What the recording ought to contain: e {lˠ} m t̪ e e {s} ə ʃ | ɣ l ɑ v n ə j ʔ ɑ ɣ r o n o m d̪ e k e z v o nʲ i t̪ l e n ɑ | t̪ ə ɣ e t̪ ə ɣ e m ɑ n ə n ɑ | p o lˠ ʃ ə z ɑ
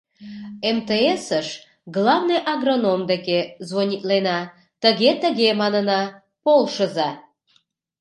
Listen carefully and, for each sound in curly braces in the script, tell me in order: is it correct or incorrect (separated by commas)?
incorrect, correct